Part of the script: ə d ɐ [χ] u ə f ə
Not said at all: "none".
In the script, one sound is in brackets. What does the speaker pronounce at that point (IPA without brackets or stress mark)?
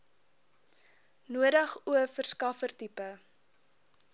χ